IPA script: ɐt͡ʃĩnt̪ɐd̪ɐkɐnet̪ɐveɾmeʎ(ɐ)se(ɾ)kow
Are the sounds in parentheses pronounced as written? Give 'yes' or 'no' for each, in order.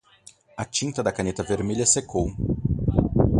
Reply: yes, no

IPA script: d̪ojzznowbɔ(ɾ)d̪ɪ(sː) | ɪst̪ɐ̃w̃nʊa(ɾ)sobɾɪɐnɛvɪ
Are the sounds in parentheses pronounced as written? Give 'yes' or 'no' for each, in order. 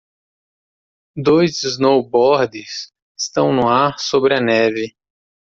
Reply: yes, no, yes

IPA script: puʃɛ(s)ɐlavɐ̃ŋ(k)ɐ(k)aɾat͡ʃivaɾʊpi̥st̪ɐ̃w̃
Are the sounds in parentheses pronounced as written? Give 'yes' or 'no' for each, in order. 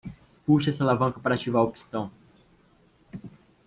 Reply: yes, yes, no

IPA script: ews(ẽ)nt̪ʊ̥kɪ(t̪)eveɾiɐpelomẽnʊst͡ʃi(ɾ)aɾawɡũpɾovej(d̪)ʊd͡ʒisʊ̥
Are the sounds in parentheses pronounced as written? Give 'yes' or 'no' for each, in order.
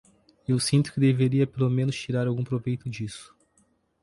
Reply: no, no, yes, no

